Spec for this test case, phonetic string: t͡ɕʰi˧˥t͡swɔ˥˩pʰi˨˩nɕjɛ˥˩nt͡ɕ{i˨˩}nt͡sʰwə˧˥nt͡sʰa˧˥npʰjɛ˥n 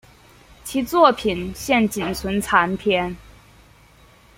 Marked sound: correct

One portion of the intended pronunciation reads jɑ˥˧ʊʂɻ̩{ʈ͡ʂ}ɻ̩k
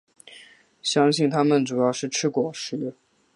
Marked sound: incorrect: ʈ͡ʂʰ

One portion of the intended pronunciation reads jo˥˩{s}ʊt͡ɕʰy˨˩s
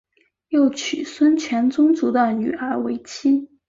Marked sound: incorrect: none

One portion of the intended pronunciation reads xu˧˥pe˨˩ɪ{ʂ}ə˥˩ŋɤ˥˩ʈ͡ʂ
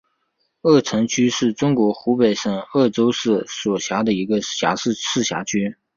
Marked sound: correct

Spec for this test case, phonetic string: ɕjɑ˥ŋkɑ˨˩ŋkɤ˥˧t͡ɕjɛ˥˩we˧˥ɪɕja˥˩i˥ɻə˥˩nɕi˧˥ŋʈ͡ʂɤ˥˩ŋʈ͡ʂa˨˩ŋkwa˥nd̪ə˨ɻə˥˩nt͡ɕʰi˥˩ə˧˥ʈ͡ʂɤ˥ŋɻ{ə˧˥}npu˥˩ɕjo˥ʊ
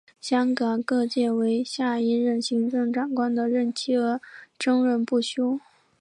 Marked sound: incorrect: ə˥˧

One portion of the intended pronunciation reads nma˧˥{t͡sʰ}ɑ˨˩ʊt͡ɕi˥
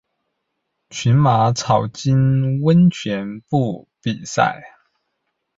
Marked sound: correct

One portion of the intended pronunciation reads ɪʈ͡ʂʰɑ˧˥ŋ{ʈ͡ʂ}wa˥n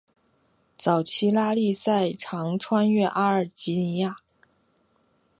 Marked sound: incorrect: ʈ͡ʂʰ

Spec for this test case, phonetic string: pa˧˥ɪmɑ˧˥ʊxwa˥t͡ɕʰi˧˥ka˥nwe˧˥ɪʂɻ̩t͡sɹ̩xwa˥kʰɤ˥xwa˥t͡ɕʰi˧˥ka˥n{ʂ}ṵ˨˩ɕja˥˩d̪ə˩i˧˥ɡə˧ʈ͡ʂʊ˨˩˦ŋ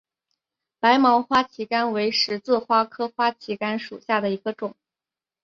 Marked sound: correct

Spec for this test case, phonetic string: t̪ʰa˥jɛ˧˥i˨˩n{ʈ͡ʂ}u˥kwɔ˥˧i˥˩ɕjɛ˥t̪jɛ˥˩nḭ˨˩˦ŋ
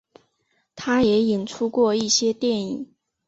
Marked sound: incorrect: ʈ͡ʂʰ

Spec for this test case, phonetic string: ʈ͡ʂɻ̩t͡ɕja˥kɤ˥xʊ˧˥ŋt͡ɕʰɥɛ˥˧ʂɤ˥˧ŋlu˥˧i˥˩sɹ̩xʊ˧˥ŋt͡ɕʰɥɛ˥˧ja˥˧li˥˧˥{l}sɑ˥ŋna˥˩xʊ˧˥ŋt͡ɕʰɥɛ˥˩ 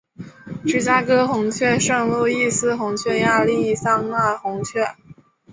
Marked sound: incorrect: none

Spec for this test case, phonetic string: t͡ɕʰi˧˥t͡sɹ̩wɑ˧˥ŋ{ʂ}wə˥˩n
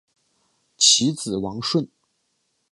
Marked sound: correct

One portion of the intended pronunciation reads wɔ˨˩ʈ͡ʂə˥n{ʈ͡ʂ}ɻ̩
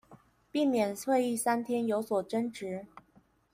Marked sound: correct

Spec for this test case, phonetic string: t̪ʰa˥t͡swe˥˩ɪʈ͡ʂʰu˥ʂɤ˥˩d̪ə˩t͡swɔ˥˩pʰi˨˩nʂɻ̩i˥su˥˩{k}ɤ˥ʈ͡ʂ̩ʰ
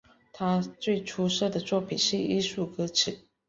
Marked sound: correct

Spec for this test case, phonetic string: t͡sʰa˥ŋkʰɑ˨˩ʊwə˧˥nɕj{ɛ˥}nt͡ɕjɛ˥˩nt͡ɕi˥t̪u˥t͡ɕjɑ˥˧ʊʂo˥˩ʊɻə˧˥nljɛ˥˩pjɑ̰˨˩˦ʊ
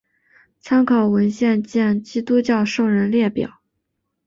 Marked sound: incorrect: ɛ˥˧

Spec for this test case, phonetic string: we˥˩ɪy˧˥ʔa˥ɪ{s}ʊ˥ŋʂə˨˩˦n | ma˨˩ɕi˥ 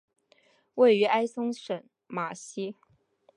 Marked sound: correct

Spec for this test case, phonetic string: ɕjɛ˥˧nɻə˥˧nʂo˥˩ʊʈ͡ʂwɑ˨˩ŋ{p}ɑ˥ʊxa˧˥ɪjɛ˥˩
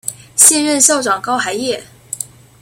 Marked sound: incorrect: k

